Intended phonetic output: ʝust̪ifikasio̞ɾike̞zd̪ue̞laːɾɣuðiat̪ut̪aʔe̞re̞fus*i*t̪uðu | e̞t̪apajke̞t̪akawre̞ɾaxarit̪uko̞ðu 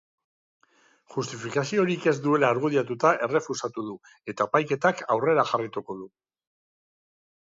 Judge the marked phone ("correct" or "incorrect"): incorrect